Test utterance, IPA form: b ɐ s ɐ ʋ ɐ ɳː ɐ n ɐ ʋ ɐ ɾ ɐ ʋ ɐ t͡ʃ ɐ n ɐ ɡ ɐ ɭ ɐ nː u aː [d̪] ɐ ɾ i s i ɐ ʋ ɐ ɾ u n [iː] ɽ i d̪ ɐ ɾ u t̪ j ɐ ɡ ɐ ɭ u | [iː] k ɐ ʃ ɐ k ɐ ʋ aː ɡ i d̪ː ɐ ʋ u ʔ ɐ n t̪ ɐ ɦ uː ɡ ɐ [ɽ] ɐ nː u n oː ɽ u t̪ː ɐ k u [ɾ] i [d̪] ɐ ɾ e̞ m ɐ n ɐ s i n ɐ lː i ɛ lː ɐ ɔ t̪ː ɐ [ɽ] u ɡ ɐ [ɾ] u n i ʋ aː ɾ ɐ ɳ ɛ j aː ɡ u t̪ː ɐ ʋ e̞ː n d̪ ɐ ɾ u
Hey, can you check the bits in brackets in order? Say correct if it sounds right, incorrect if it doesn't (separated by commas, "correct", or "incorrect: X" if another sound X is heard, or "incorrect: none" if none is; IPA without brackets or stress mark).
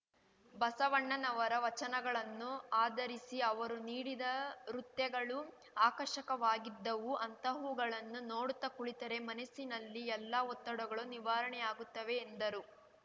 correct, correct, incorrect: aː, incorrect: ɭ, incorrect: ɭ, incorrect: t̪, correct, incorrect: ɭ